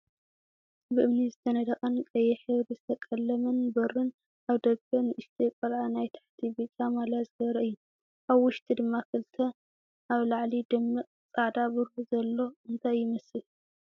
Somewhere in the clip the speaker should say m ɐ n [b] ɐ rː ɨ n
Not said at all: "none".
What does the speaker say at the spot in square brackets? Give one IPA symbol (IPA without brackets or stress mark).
b